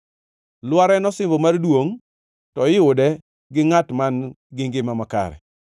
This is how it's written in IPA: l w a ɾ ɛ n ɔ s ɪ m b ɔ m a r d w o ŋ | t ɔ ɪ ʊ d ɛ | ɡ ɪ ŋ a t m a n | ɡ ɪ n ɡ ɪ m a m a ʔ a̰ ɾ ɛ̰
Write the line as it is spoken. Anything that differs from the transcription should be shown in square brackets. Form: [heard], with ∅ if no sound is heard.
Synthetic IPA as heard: l w a ɾ ɛ n ɔ s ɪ m b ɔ m a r d w o ŋ | t ɔ ɪ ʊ d ɛ | ɡ ɪ ŋ a t m a n | ɡ ɪ [ŋ] ɡ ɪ m a m a [k] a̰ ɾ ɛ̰